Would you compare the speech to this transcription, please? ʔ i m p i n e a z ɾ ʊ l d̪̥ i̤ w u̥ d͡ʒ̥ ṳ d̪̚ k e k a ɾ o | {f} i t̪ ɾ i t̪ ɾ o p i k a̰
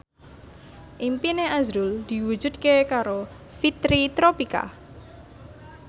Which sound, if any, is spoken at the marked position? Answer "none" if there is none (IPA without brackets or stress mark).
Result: f